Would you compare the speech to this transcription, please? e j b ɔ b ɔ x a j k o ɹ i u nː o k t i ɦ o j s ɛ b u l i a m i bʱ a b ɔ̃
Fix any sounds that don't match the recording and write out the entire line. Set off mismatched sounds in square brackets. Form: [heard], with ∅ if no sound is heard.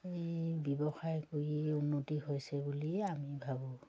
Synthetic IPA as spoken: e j b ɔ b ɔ x a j k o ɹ i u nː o [∅] t i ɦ o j s ɛ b u l i a m i bʱ a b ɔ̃